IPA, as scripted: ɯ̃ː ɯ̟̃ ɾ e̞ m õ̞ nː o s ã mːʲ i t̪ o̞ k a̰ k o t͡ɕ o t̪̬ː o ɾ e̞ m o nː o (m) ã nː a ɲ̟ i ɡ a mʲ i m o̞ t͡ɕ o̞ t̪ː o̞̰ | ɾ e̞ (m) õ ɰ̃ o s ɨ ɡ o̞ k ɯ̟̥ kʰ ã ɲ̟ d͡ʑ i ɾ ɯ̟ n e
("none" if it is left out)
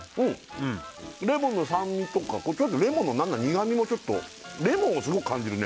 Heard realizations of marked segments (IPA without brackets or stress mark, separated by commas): n, m